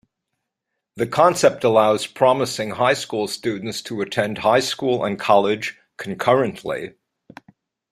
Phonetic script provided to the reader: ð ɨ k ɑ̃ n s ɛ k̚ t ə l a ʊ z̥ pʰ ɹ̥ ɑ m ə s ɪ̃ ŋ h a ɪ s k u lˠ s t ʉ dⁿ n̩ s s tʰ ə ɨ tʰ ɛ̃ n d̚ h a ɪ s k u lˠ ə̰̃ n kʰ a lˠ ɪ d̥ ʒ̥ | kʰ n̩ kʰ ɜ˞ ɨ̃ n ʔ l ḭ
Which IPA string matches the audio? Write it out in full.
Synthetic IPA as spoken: ð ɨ kʰ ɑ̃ n s ɛ p̚ t ə l a ʊ z̥ pʰ ɹ̥ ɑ m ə s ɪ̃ ŋ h a ɪ s k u lˠ s t ʉ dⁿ n̩ t s tʰ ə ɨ tʰ ɛ̃ n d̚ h a ɪ s k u lˠ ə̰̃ n kʰ ɑ lˠ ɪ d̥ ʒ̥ | kʰ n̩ kʰ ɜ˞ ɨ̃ n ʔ l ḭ